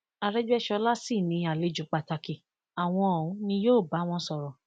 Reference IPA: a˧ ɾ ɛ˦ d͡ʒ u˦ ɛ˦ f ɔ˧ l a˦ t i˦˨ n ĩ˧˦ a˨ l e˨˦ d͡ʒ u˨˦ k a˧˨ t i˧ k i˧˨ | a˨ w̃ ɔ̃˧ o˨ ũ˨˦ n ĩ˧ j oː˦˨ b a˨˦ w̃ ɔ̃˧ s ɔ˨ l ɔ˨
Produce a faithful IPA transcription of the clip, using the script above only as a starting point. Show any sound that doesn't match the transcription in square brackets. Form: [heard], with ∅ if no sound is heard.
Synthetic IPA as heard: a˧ ɾ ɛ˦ d͡ʒ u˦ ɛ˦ [ʃ] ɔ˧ l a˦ [s] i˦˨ n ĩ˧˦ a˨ l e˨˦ d͡ʒ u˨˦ [k͡p] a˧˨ t [a˧] k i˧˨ | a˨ w̃ ɔ̃˧ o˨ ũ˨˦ n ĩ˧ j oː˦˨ b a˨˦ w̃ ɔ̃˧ s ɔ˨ [ɾ] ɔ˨